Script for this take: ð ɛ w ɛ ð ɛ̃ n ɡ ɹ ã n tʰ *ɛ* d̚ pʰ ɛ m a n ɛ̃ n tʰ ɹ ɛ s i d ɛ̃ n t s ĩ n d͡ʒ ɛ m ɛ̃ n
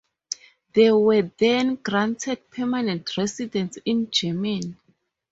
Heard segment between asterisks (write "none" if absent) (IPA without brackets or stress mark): ɛ